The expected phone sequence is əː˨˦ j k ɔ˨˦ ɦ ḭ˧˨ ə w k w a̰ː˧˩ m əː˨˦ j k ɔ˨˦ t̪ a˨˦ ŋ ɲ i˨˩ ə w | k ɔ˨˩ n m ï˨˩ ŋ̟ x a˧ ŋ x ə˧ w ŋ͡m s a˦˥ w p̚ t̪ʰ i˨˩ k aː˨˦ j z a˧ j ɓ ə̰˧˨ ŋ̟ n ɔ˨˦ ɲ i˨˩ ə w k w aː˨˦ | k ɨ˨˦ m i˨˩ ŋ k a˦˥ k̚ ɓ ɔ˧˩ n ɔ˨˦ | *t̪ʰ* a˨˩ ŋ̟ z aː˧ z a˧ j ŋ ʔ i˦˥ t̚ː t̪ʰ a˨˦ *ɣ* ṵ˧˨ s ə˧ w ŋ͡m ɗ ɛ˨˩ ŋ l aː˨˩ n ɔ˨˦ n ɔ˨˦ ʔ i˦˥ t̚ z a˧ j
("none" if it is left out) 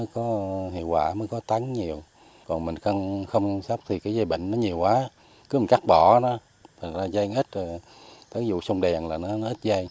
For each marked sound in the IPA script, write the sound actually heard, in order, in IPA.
t̪ʰ, z

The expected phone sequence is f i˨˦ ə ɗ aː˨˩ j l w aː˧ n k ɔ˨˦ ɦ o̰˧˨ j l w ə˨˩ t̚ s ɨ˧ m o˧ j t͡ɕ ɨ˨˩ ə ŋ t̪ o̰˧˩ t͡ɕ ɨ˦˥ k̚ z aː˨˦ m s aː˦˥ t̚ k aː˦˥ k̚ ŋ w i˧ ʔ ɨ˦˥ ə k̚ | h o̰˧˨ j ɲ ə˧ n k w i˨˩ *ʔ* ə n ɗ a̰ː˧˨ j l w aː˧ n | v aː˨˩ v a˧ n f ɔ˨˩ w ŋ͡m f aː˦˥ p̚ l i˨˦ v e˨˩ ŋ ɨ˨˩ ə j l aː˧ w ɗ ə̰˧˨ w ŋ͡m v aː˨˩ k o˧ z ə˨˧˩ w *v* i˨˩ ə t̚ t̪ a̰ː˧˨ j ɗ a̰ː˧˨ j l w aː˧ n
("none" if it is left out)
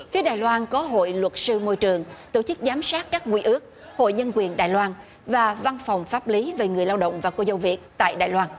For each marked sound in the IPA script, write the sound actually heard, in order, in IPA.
none, v

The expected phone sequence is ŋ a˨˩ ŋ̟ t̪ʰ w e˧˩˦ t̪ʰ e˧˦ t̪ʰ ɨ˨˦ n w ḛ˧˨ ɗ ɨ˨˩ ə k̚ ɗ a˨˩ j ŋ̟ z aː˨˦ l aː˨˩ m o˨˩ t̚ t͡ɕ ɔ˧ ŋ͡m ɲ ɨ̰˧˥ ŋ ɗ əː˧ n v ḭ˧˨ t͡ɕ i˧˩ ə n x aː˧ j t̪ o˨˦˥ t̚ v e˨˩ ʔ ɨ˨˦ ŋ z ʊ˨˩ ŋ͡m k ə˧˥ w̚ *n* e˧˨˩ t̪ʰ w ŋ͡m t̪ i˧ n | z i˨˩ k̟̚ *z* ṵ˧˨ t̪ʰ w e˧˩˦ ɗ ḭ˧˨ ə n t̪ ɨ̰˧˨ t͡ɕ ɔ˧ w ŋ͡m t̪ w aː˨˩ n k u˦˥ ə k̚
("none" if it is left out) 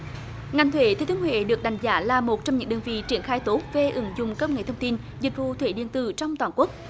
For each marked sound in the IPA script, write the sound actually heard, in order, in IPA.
ŋ, v

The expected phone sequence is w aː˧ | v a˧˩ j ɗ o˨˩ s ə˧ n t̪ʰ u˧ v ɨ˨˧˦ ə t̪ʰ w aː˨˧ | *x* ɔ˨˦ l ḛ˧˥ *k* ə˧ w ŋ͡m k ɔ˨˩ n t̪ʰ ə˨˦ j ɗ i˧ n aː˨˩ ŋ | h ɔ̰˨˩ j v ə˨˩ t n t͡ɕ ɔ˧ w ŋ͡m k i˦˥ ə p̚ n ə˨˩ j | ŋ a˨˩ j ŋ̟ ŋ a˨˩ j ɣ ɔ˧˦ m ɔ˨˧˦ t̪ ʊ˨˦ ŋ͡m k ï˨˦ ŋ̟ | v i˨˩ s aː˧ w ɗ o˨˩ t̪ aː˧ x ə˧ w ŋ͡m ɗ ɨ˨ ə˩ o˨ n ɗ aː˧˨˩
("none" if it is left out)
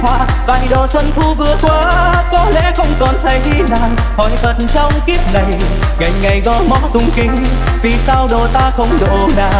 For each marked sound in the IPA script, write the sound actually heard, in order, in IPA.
k, x

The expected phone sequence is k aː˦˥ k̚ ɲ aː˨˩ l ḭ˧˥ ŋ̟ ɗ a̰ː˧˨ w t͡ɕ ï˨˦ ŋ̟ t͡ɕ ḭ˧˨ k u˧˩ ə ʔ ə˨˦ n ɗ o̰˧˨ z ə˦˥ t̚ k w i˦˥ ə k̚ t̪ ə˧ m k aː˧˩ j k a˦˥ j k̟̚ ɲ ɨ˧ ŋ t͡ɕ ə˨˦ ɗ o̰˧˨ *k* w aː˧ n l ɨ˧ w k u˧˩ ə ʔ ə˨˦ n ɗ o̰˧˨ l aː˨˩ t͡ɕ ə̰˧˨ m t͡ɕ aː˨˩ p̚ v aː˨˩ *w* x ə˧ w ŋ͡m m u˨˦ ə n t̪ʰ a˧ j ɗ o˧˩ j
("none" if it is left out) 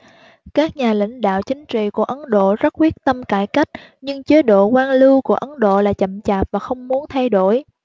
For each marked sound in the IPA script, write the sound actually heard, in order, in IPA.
k, none

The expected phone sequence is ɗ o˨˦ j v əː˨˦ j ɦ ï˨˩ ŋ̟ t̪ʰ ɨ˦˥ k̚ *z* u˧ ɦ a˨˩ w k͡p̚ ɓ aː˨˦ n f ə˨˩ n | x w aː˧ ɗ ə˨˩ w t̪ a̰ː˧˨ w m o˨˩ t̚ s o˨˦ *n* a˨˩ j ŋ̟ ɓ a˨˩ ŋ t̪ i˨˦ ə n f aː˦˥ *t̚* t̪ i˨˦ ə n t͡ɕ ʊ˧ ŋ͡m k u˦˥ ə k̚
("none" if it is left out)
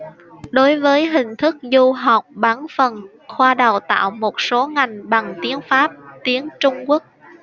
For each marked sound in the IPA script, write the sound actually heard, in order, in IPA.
z, ŋ, p̚

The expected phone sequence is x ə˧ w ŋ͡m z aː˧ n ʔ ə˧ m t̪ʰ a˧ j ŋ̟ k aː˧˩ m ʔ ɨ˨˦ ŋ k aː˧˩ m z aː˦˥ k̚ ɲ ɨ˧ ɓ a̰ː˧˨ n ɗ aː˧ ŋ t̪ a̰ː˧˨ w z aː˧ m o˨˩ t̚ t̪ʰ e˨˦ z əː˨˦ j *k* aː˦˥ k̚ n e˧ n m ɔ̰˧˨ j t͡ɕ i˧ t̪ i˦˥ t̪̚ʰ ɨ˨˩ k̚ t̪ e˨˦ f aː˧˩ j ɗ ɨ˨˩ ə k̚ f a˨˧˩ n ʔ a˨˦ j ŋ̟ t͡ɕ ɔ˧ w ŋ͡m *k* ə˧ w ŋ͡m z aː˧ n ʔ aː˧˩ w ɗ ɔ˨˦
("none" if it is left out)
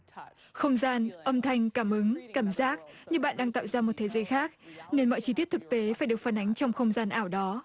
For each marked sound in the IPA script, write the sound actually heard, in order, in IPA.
x, x

